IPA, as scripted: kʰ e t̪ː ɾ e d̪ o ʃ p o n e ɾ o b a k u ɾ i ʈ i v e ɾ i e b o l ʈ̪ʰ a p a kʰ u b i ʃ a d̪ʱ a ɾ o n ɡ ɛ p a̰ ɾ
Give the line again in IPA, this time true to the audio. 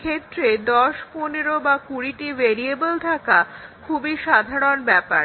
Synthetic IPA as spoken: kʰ e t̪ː ɾ e d̪ ɔ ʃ p o n e ɾ o b a k u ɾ i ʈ i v e ɾ i e b o l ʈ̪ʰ a k a kʰ u b i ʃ a d̪ʱ a ɾ o n b ɛ p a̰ ɾ

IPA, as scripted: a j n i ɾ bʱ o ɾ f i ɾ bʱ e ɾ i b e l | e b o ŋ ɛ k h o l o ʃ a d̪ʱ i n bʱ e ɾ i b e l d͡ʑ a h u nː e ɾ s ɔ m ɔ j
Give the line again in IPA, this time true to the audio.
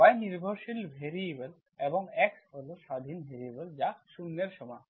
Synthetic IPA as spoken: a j n i ɾ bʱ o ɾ ʃ i l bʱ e ɾ i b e l | e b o ŋ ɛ k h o l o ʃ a d̪ʱ i n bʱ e ɾ i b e l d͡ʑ a ʃ u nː e ɾ ʃ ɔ m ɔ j

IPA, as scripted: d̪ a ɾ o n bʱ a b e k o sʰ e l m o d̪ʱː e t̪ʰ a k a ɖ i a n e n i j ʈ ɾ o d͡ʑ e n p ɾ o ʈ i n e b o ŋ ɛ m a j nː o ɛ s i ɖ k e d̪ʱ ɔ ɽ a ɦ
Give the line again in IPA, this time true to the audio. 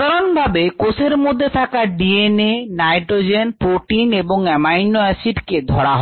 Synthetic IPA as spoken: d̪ a ɾ o n bʱ a b e k o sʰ e ɾ m o d̪ʱː e t̪ʰ a k a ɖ i e n e n a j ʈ ɾ o d͡ʑ e n p ɾ o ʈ i n e b o ŋ ɛ m a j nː o ɛ s i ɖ k e d̪ʱ ɔ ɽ a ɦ

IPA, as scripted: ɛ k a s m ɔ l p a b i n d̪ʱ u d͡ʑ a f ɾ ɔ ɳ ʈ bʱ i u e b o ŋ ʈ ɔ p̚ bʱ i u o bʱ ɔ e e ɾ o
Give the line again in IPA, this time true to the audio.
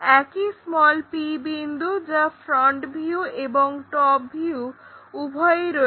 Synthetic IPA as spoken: ɛ k i s m ɔ l p i b i n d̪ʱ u d͡ʑ a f ɾ ɔ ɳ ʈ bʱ i u e b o ŋ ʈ ɔ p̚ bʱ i u u bʱ ɔ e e ɾ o

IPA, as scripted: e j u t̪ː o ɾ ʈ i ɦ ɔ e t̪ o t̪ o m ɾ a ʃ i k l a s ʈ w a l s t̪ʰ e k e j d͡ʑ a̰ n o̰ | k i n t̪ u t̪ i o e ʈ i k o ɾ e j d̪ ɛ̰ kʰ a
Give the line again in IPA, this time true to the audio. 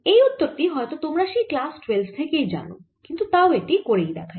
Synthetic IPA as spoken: e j u t̪ː o ɾ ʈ i ɦ ɔ e t̪ o t̪ o m ɾ a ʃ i k l a s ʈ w e l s t̪ʰ e k e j d͡ʑ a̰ n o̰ | k i n t̪ u t̪ a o e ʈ i k o ɾ e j d̪ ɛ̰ kʰ a

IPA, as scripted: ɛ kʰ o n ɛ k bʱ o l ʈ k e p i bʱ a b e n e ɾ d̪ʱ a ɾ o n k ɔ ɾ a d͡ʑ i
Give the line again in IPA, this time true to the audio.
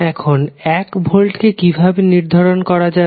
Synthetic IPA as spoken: ɛ kʰ o n ɛ k bʱ o l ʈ k e k i bʱ a b e n i ɾ d̪ʱ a ɾ o n k ɔ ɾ a d͡ʑ a

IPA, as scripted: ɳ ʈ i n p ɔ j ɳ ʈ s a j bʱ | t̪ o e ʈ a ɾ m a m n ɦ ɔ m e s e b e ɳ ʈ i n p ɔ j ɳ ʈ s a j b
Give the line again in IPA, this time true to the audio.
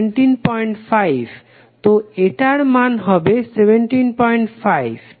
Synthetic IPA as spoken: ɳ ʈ i n p ɔ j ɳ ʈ f a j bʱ | t̪ o e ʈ a ɾ m a n ɦ ɔ b e s e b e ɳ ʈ i n p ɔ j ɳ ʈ f a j b

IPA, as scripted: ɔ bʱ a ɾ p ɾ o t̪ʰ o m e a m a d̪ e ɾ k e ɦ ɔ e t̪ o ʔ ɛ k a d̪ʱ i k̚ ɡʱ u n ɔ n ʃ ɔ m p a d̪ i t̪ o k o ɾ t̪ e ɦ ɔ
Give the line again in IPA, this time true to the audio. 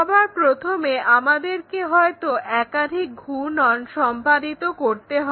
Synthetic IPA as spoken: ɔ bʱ a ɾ p ɾ o t̪ʰ o m e a m a d̪ e ɾ k e ɦ ɔ e t̪ o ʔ ɛ k a d̪ʱ i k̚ ɡʱ u n ɔ n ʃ ɔ m p a d̪ i t̪ o k o ɾ t̪ e ɦ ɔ

